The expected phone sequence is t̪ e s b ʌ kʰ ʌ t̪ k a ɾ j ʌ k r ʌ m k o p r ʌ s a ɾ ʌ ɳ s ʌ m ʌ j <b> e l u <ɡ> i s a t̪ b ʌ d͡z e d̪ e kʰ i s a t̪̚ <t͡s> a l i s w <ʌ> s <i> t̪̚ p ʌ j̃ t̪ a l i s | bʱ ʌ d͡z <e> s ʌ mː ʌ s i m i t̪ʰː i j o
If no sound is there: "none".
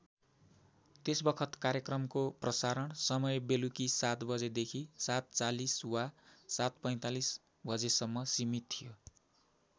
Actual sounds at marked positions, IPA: b, k, t͡s, a, a, e

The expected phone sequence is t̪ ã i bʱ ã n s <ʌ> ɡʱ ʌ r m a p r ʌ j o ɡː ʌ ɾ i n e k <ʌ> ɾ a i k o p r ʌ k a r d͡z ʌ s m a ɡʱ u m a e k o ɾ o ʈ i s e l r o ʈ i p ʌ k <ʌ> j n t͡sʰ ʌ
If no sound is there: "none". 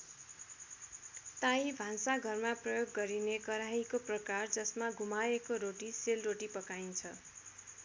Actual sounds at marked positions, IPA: a, ʌ, a

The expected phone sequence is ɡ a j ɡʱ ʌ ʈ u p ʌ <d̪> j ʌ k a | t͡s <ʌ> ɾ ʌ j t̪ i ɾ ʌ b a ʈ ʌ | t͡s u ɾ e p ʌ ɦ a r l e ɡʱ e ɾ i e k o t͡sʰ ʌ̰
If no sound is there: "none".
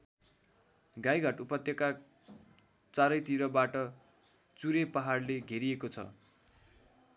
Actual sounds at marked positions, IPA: t̪, a

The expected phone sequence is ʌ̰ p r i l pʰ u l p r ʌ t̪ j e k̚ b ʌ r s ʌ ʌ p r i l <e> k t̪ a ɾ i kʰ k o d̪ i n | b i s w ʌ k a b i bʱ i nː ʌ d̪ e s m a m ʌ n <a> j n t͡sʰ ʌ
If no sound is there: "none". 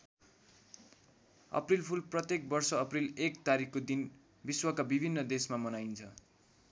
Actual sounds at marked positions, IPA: e, a

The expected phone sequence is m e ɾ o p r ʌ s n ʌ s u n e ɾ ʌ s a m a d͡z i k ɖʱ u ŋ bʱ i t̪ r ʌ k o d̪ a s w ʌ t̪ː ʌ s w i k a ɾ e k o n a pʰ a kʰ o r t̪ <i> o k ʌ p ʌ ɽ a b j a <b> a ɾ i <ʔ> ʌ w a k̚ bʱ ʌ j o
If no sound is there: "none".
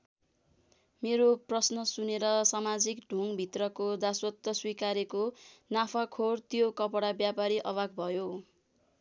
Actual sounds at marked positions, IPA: j, p, ʔ

